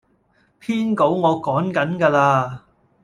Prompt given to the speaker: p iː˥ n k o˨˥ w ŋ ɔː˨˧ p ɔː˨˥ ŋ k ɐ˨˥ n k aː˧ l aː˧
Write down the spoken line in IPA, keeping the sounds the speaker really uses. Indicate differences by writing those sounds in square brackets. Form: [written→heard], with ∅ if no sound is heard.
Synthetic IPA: [p→pʰ] iː˥ n k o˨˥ w ŋ ɔː˨˧ [p→k] ɔː˨˥ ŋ k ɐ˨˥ n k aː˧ l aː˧